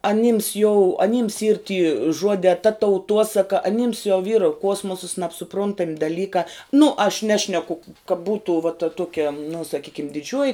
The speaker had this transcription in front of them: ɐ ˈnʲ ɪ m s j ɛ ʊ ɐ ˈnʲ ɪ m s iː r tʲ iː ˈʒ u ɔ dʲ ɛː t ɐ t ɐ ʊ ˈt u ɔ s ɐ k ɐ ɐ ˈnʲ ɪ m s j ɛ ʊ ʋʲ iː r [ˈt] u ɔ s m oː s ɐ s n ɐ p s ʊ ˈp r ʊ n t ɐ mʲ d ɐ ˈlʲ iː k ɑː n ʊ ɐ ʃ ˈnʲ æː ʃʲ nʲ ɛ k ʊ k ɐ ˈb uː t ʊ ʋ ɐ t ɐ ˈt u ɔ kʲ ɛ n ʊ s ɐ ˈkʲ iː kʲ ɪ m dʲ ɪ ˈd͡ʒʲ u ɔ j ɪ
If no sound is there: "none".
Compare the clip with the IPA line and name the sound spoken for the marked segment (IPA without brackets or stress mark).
k